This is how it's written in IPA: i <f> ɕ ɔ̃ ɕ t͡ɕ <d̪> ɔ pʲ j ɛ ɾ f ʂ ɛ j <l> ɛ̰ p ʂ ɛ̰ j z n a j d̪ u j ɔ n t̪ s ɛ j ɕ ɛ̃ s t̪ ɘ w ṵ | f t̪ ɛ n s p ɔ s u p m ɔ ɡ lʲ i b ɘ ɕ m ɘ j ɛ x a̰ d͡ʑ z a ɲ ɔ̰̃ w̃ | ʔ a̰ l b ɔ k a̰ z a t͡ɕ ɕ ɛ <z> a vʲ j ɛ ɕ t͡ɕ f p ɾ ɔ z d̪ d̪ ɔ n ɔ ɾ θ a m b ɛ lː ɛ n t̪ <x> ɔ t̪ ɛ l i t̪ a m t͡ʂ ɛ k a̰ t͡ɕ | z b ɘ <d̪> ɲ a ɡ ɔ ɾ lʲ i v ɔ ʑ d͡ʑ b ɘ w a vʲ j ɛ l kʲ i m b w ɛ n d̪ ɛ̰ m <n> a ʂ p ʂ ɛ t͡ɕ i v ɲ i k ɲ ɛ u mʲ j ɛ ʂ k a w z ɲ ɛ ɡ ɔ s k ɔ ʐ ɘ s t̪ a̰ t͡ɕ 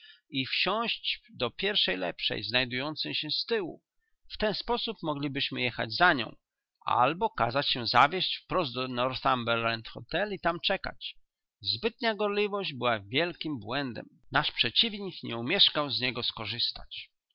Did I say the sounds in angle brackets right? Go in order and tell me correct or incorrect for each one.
correct, correct, correct, correct, correct, incorrect: t̪, correct

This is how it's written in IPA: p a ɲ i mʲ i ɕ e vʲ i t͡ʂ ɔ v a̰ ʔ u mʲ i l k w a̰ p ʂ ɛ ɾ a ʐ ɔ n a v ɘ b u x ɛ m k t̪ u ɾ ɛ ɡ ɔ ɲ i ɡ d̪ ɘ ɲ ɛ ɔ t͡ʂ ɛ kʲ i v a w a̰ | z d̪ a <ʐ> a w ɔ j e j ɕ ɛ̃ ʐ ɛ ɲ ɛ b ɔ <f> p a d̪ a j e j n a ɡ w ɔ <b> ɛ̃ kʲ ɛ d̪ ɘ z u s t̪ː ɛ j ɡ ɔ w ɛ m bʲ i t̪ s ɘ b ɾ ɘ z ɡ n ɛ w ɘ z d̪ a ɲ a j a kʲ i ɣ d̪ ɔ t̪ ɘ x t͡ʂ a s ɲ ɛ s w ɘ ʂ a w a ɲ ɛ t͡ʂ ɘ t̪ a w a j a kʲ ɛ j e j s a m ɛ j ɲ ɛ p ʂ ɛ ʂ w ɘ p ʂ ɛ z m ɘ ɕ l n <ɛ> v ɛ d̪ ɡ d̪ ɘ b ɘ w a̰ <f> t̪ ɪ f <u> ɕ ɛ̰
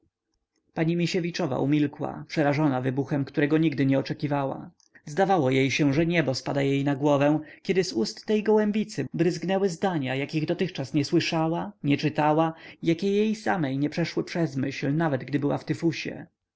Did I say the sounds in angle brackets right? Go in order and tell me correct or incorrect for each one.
incorrect: v, incorrect: s, incorrect: v, incorrect: a, correct, correct

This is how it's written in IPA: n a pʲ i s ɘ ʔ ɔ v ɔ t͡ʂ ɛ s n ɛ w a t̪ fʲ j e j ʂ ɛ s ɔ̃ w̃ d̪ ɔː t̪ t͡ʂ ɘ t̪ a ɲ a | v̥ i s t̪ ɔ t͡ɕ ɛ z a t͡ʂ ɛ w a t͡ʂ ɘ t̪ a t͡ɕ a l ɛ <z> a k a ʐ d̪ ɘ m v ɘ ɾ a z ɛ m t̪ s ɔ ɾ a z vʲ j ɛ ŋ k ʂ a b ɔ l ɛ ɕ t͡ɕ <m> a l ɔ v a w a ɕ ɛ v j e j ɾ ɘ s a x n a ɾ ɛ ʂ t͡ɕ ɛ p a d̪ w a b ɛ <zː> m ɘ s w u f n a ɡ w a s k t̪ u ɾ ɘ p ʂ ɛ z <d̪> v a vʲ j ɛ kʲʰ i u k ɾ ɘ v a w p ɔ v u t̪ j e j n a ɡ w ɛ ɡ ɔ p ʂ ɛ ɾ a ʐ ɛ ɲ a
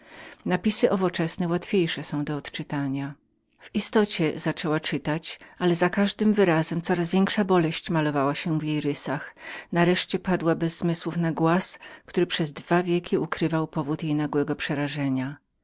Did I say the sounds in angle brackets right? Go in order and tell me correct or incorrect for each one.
correct, correct, correct, correct

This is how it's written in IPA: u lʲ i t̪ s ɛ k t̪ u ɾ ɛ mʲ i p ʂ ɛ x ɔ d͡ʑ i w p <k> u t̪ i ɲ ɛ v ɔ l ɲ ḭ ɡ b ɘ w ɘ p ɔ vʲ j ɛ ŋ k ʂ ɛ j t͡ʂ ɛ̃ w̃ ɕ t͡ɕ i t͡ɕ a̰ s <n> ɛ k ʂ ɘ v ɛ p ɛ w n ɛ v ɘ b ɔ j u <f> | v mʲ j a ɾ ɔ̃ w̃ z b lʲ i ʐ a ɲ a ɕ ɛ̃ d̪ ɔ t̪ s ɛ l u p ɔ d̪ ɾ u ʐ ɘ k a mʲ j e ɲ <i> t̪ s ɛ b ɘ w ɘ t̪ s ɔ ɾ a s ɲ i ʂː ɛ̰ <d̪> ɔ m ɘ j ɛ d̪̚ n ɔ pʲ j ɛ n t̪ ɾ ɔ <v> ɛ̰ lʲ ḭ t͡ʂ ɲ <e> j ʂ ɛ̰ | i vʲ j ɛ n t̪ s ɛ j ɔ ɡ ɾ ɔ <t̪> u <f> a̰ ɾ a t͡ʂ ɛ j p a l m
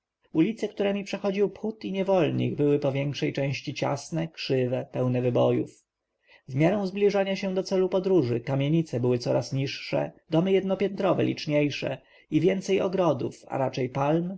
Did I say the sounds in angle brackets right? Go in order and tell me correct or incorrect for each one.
incorrect: x, correct, correct, correct, correct, correct, correct, incorrect: d̪, correct

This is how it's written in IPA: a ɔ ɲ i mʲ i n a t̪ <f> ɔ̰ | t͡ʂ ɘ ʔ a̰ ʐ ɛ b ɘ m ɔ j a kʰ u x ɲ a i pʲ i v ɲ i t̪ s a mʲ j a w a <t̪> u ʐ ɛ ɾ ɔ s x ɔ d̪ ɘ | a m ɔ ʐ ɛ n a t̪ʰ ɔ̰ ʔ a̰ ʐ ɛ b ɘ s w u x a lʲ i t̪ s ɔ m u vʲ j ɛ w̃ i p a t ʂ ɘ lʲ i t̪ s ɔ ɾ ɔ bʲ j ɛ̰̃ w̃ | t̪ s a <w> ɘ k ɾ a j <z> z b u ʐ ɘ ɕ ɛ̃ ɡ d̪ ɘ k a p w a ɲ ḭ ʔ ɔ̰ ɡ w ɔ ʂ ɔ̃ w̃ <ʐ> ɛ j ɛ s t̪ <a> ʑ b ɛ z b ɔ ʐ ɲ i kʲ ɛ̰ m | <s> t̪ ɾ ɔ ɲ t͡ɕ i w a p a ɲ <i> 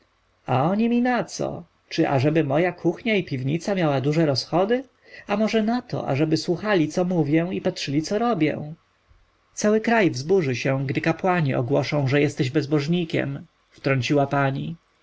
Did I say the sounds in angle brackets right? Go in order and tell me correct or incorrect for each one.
incorrect: s, incorrect: d̪, correct, incorrect: v, correct, incorrect: ɛ, incorrect: f, correct

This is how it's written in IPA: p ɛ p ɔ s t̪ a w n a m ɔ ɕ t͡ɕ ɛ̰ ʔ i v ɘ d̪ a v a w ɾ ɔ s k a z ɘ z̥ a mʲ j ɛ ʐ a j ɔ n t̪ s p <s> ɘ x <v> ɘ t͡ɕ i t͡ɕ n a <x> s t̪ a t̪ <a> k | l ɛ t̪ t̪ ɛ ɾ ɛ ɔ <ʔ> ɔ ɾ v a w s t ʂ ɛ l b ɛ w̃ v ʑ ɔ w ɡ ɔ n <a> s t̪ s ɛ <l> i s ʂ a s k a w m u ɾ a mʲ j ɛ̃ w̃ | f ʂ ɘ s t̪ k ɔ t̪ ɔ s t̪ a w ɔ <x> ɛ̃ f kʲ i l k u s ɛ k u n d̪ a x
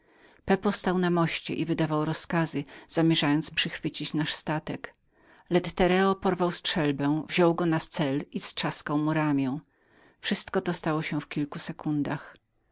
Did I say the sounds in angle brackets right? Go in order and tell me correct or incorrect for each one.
incorrect: ʂ, incorrect: f, incorrect: ʂ, incorrect: ɛ, incorrect: p, correct, correct, incorrect: ɕ

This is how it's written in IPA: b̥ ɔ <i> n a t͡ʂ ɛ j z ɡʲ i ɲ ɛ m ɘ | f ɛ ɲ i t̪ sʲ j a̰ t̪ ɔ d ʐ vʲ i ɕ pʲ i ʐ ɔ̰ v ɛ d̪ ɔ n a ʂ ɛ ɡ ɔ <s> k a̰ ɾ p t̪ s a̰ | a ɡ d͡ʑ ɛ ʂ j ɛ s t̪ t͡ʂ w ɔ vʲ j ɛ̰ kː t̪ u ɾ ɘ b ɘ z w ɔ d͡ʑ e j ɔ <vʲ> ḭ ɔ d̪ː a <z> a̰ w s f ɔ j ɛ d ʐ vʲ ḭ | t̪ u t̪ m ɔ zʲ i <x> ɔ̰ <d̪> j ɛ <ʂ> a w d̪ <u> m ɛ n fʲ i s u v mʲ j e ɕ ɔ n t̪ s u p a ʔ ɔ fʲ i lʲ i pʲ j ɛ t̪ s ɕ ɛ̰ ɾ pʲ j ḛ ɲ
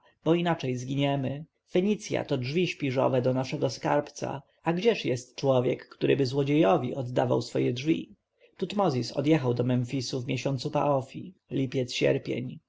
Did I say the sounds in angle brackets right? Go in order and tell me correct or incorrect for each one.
correct, correct, correct, incorrect: v, incorrect: s, correct, incorrect: x, incorrect: ɔ

